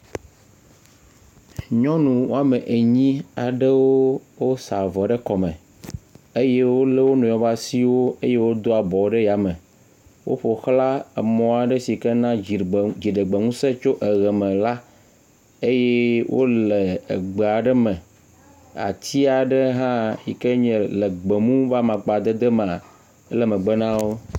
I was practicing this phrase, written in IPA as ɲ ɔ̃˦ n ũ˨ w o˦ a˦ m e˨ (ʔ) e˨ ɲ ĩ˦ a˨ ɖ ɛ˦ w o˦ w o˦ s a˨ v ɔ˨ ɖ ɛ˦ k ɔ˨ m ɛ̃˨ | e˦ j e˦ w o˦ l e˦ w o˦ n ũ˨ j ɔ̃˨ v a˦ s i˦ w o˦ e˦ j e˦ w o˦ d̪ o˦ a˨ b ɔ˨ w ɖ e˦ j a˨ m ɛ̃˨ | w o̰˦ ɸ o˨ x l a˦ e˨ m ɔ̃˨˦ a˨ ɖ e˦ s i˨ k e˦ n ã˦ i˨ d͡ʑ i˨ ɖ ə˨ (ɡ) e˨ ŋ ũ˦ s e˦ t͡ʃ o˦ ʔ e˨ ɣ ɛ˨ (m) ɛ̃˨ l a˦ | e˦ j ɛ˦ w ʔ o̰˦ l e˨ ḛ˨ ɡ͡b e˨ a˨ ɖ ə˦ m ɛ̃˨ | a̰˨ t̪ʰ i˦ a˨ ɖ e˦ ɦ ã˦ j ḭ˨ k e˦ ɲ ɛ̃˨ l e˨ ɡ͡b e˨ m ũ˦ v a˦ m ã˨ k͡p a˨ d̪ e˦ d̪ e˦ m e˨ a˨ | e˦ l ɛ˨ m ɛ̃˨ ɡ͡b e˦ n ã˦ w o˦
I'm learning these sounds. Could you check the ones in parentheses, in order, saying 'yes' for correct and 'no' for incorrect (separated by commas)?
yes, no, yes